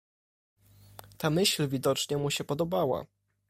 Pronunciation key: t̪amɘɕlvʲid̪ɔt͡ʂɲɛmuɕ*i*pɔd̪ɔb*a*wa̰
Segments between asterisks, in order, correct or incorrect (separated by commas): incorrect, correct